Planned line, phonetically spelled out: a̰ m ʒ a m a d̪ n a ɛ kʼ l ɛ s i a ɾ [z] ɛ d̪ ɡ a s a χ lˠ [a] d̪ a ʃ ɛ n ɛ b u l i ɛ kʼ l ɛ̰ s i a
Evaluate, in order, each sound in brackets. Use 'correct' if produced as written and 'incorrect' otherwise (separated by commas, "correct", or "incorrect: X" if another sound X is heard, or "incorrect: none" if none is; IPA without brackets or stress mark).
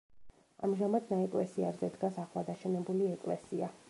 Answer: correct, correct